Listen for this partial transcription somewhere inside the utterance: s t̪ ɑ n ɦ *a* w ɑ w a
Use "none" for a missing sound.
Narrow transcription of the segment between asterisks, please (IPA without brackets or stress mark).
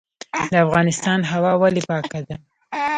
a